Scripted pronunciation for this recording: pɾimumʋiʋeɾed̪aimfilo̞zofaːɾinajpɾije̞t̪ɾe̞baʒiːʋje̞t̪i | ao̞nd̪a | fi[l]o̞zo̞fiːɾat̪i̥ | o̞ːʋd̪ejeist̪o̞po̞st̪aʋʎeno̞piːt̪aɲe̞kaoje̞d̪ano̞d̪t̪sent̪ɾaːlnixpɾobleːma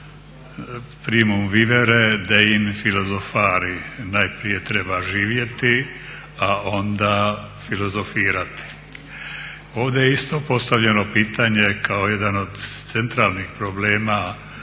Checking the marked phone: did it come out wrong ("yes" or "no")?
no